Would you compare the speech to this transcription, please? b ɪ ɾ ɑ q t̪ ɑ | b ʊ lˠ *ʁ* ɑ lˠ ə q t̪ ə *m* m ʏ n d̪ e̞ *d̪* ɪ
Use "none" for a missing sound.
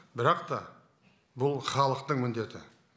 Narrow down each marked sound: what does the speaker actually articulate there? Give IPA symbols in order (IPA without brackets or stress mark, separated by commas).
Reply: χ, ɴ, t̪